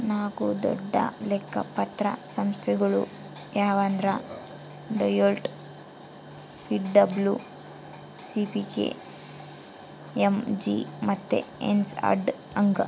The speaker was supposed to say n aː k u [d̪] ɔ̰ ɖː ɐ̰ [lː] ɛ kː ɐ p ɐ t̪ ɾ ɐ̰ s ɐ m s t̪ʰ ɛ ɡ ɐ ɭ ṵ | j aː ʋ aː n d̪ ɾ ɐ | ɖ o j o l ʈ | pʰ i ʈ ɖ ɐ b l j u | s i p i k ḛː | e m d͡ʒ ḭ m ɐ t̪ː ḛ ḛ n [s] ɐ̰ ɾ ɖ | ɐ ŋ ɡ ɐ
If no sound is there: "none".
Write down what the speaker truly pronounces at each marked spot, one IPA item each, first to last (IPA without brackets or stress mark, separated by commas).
d̪, l, s